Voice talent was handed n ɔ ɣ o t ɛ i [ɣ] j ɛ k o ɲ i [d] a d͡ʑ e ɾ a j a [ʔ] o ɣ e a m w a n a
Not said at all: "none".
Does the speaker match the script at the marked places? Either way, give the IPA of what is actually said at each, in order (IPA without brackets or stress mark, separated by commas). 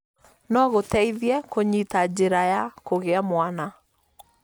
ð, t, k